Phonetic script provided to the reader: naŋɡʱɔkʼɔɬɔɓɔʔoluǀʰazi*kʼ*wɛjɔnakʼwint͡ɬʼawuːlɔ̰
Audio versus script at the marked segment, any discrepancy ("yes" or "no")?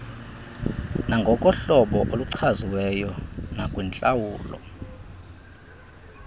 yes